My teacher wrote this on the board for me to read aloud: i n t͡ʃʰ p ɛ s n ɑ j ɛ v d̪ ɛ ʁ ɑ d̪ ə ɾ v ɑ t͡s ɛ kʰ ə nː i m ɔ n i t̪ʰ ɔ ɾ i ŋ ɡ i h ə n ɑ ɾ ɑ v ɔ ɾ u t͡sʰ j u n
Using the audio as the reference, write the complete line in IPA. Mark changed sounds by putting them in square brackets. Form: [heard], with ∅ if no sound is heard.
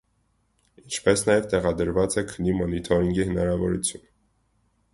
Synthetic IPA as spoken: i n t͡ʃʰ p ɛ s n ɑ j ɛ v [t̪] ɛ ʁ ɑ d̪ ə ɾ v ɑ t͡s ɛ kʰ ə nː i m ɔ n i t̪ʰ ɔ ɾ i ŋ ɡ i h ə n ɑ ɾ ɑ v ɔ ɾ u t͡sʰ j u n